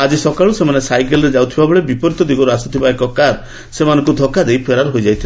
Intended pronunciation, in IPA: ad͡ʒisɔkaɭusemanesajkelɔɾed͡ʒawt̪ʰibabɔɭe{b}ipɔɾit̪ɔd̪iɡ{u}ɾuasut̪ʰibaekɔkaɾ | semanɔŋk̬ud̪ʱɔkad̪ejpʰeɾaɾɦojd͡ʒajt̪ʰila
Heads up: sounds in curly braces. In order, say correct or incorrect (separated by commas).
correct, incorrect